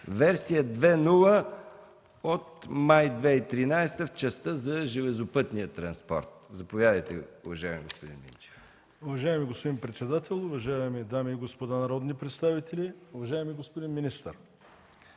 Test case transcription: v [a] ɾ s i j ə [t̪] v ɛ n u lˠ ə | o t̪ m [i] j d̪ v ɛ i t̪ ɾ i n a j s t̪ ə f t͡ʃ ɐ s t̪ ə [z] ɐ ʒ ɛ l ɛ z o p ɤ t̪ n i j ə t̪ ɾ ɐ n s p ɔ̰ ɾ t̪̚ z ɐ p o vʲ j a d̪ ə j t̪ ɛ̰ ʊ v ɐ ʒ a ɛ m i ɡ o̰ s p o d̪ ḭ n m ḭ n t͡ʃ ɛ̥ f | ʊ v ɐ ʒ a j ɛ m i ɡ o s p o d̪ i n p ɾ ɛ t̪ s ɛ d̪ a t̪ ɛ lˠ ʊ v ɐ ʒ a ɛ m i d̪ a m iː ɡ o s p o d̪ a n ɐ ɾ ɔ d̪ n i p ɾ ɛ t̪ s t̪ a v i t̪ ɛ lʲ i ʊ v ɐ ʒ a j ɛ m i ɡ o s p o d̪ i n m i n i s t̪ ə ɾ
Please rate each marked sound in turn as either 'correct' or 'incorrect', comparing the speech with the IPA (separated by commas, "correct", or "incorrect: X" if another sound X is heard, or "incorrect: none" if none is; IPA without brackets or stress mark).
incorrect: ɛ, incorrect: d̪, incorrect: a, correct